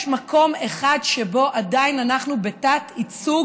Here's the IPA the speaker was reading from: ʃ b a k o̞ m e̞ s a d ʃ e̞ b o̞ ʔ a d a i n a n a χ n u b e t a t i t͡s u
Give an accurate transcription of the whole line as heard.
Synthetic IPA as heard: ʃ m a k o̞ m e̞ χ a d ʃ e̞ b o̞ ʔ a d a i n a n a χ n u b e t a t i t͡s u